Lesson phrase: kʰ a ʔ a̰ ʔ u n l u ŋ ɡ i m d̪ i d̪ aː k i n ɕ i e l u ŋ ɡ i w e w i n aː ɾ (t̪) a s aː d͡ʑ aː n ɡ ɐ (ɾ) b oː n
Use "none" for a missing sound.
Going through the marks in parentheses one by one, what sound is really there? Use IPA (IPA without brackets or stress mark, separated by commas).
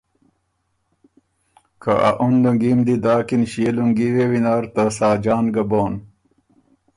t̪, none